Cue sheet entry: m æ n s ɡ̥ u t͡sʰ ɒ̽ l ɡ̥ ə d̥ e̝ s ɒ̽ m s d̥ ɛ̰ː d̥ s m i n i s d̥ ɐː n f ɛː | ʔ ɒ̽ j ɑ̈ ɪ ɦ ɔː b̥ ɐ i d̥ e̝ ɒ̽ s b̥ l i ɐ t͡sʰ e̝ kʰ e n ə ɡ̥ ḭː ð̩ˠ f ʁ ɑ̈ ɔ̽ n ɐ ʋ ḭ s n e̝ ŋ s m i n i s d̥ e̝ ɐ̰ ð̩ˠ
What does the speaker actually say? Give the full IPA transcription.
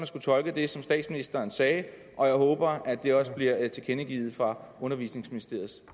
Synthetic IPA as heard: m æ n s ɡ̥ u t͡sʰ ɒ̽ l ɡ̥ ə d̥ e̝ s ɒ̽ m s d̥ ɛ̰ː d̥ s m i n i s d̥ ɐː n s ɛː | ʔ ɒ̽ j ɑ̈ ɪ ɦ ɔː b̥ ɐ æ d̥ e̝ ɒ̽ s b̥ l i ɐ t͡sʰ e̝ kʰ e n ə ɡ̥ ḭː ð̩ˠ f ʁ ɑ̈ ɔ̽ n ɐ ʋ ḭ s n e̝ ŋ s m i n i s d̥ e̝ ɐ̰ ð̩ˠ